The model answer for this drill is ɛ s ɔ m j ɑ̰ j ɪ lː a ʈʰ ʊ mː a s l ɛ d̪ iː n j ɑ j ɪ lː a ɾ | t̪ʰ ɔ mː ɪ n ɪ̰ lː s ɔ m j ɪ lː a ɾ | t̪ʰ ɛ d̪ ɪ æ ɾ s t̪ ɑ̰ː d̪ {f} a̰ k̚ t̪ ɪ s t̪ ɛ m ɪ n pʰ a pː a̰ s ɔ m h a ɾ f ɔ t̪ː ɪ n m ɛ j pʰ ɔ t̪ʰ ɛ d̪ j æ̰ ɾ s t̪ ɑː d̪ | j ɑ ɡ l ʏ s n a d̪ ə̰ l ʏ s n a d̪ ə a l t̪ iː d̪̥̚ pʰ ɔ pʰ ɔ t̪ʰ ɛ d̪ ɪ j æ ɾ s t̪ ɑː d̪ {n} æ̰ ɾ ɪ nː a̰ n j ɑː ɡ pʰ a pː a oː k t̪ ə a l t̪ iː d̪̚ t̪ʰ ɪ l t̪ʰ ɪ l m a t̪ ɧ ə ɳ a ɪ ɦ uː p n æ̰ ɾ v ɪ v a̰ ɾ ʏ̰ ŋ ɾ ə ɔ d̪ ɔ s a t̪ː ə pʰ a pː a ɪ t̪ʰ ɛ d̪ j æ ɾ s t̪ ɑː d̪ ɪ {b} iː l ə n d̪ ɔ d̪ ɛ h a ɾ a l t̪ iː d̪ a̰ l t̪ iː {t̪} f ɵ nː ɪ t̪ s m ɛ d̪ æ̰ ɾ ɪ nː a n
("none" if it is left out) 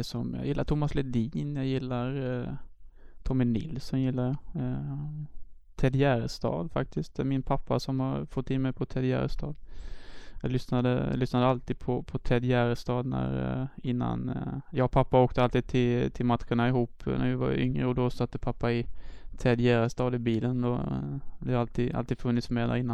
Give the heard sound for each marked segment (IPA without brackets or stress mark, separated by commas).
f, n, b, d̪